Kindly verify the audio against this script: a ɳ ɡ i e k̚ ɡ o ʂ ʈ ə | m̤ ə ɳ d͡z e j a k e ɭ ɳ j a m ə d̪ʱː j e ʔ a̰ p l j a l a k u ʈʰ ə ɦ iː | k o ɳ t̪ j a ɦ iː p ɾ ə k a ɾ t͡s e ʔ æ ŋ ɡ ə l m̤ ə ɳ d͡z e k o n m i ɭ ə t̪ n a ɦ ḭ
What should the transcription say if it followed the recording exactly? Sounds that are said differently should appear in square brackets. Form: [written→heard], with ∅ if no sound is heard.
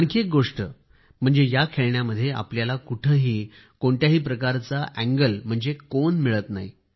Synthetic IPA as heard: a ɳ [ɡ→k] i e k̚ ɡ o ʂ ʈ ə | m̤ ə ɳ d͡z e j a [k→kʰ] e ɭ ɳ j a m ə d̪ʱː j e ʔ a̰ p l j a l a k u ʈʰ ə ɦ iː | k o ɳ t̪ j a ɦ iː p ɾ ə k a ɾ t͡s [e→a] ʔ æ ŋ ɡ ə l m̤ ə ɳ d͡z e k o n m i ɭ ə t̪ n a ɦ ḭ

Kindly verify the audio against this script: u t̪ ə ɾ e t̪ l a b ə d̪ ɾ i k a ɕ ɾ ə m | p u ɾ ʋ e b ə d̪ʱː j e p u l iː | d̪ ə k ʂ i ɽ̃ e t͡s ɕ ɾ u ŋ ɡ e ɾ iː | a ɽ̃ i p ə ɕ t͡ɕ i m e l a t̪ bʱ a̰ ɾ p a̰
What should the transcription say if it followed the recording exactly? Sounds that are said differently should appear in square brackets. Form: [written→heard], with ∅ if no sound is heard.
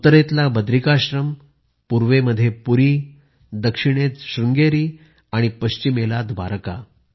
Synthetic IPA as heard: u t̪ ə ɾ e t̪ l a b ə d̪ ɾ i k a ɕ ɾ ə m | p u ɾ ʋ e [b→m] ə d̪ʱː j e p u [l→ɾ] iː | d̪ ə k ʂ i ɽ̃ e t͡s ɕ ɾ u ŋ ɡ e ɾ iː | a ɽ̃ i p ə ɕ t͡ɕ i m e l a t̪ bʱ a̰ ɾ [p→k] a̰

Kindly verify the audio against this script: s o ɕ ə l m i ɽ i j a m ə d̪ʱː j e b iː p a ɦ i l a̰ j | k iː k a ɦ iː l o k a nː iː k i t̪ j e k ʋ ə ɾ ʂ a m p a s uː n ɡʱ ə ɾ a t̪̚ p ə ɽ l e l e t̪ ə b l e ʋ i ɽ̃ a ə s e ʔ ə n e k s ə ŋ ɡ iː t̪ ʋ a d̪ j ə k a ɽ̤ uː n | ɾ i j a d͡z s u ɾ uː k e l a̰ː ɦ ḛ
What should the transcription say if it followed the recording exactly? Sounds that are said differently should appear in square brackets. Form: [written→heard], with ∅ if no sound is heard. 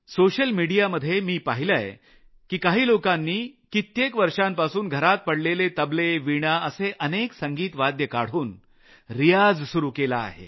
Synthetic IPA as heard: s o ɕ ə l m i ɽ i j a m ə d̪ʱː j e [b→m] iː p a ɦ i l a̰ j | k iː k a ɦ iː l o k a nː iː k i t̪ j e k ʋ ə ɾ ʂ a m p a s uː n ɡʱ ə ɾ a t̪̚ p ə ɽ l e l e t̪ ə b l e ʋ i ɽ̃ a ə s e ʔ ə n e k s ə ŋ ɡ iː t̪ ʋ a d̪ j ə k a ɽ̤ uː n | ɾ i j a d͡z s u ɾ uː k e l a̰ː ɦ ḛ

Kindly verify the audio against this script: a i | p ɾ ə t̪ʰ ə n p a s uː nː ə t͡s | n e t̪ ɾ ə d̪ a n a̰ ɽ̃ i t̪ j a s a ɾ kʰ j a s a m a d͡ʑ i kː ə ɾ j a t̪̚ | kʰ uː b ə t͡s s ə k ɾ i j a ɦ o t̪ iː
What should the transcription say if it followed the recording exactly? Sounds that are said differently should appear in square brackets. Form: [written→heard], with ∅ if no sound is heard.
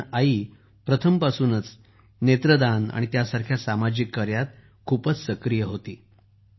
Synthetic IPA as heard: a i | p ɾ ə t̪ʰ ə [n→m] p a s uː [nː→n] ə t͡s | n e t̪ ɾ ə d̪ a n a̰ ɽ̃ i t̪ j a s a ɾ kʰ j a s a m a d͡ʑ i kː ə ɾ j a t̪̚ | kʰ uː [b→p] ə t͡s s ə k ɾ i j [a→ə] ɦ o t̪ iː

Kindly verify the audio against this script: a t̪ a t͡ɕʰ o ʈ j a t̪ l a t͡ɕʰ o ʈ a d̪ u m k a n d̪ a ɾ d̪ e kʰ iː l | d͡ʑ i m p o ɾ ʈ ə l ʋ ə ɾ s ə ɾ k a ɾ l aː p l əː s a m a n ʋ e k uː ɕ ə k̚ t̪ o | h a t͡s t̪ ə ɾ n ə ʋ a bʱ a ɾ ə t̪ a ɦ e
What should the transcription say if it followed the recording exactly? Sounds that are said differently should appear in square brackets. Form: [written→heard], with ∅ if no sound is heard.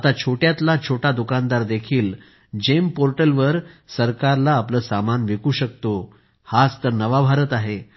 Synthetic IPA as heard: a t̪ a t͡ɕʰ o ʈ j a t̪ l a t͡ɕʰ o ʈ a d̪ u [m→∅] k a n d̪ a ɾ d̪ e kʰ iː l | d͡ʑ [i→e] m p o ɾ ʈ ə l ʋ ə ɾ s ə ɾ k a ɾ l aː p l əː s a m a n ʋ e k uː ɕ ə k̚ t̪ o | h a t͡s t̪ ə ɾ n ə ʋ a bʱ a ɾ ə t̪ a ɦ e

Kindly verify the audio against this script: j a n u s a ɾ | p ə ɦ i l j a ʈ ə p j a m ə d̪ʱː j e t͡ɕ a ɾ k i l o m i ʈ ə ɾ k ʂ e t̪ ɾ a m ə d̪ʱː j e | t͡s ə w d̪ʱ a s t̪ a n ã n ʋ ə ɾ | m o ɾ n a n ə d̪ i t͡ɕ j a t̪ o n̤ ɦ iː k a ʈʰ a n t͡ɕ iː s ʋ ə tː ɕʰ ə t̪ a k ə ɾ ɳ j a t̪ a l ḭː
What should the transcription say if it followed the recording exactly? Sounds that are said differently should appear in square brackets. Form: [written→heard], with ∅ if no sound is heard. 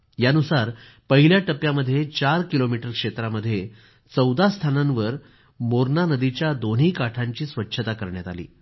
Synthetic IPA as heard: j a n u s a ɾ | p ə ɦ i l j a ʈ ə p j a m ə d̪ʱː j e t͡ɕ a ɾ k i l o m i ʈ ə ɾ k ʂ e t̪ ɾ a m ə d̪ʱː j e | t͡s ə w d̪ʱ a s [t̪→t̪ʰ] a n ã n ʋ ə ɾ | m o ɾ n a n ə d̪ i t͡ɕ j a [t̪→d̪] o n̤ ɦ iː k a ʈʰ a [n→ɲ] t͡ɕ iː s ʋ ə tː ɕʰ ə t̪ a k ə ɾ ɳ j a t̪ a l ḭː

